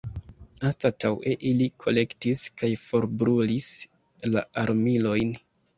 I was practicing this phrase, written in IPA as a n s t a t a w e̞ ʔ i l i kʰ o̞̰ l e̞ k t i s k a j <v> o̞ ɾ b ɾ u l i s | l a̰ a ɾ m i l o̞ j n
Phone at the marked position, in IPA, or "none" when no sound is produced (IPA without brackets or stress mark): f